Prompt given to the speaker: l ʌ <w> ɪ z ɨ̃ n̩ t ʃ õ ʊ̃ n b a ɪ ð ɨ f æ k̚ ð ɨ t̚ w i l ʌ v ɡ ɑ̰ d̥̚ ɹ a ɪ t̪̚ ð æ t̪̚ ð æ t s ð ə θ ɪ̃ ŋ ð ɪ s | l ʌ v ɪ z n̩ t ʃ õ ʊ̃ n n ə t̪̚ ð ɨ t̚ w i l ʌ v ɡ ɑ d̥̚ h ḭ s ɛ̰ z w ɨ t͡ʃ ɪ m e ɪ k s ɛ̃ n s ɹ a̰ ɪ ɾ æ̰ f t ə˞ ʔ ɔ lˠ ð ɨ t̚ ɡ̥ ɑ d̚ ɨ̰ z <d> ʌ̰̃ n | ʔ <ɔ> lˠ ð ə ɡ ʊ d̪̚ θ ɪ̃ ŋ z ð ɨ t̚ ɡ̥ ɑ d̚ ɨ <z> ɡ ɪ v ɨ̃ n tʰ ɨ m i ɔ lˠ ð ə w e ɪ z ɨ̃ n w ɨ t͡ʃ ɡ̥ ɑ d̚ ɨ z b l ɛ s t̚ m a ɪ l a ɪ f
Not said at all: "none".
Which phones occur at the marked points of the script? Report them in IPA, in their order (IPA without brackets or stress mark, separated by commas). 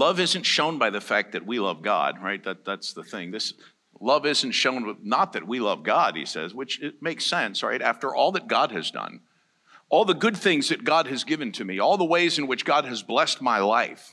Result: v, d, ɔ, z